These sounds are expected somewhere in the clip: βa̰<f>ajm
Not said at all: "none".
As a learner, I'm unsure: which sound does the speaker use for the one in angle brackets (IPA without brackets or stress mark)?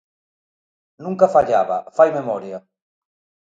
f